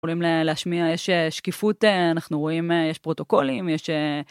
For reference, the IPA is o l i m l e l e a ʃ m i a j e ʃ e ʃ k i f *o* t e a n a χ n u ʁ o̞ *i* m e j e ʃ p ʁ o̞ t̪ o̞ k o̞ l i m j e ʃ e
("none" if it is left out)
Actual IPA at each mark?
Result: u, i

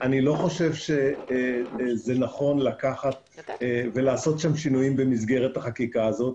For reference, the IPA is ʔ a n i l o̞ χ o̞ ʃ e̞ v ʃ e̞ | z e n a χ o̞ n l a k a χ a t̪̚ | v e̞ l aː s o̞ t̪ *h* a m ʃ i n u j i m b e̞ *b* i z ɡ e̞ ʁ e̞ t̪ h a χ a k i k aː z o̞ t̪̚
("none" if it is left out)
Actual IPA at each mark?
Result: ʃ, m

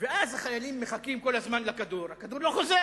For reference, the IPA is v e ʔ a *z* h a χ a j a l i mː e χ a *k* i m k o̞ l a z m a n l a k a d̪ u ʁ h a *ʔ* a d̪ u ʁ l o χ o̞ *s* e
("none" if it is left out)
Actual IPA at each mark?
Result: z, k, k, z

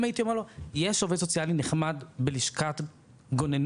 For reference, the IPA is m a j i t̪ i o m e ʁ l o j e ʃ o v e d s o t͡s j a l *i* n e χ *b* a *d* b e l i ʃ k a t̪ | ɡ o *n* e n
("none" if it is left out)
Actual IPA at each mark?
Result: i, m, d, n

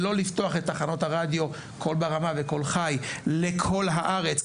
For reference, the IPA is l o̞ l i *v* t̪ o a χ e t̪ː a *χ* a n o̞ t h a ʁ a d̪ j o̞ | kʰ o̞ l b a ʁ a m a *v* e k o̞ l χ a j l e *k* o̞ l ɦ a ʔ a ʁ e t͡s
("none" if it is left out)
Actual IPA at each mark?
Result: f, χ, v, kʰ

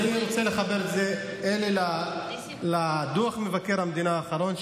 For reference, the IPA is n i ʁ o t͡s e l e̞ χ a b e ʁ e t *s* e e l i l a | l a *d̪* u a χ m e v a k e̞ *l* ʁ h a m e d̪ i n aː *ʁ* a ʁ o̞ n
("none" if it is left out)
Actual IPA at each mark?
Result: z, d̪, none, χ

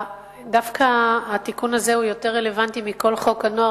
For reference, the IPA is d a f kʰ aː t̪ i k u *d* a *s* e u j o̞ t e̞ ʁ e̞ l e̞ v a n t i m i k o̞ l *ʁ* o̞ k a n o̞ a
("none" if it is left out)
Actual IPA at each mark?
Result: n, z, χ

